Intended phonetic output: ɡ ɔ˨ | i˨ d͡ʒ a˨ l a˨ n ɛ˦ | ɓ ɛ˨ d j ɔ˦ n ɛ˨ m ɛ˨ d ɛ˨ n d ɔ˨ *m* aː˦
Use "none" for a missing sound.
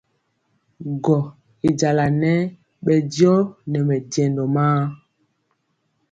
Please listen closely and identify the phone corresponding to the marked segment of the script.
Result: m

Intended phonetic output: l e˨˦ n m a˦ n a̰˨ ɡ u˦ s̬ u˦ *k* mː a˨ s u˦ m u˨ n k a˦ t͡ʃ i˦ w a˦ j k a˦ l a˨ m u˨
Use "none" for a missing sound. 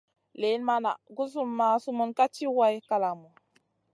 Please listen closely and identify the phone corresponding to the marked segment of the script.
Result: none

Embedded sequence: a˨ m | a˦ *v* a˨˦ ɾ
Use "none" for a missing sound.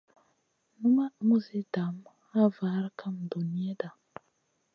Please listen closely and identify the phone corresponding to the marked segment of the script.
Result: v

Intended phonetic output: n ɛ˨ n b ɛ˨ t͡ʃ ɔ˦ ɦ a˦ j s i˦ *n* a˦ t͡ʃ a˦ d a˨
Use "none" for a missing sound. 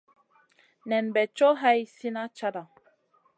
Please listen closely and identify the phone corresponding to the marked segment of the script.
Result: n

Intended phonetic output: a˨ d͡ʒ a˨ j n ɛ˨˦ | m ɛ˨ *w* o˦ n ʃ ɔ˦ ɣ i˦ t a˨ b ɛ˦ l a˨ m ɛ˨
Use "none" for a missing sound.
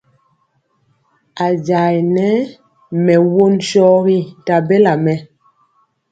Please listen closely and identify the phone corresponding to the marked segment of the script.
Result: w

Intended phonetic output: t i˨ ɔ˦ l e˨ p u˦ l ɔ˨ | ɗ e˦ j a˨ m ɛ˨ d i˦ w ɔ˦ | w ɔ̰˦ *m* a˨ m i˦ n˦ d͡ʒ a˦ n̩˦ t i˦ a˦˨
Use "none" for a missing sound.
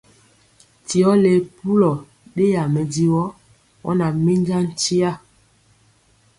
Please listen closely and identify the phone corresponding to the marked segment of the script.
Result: n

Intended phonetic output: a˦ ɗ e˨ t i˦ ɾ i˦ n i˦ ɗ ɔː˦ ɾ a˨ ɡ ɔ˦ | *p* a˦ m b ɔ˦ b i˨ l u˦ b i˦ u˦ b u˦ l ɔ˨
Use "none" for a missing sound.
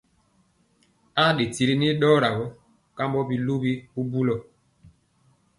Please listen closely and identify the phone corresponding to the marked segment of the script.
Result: k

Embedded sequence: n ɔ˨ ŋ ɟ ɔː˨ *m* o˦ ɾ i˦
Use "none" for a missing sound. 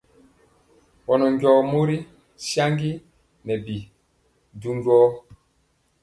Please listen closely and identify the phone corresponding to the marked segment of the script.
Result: m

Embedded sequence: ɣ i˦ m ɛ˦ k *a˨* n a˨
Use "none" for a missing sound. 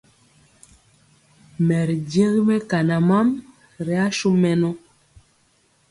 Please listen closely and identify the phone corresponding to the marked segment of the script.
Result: a˨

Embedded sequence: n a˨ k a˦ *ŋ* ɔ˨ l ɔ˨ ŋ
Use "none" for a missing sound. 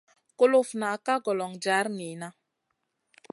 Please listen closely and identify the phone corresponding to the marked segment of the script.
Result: ɡ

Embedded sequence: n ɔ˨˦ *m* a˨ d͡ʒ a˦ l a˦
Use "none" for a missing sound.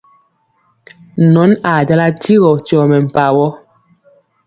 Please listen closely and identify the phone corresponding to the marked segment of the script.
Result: n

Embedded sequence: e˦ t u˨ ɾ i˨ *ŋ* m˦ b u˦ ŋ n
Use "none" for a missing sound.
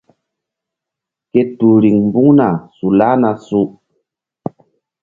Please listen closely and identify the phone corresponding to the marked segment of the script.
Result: ŋ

